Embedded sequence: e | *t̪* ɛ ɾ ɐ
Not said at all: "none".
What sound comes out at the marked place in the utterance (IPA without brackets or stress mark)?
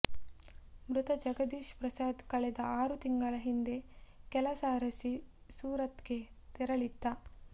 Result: t̪